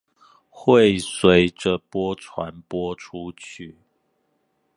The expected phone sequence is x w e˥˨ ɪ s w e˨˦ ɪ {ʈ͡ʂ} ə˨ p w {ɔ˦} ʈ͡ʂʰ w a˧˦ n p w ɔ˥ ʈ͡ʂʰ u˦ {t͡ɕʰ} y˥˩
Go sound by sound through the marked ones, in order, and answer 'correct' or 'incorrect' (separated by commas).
correct, correct, correct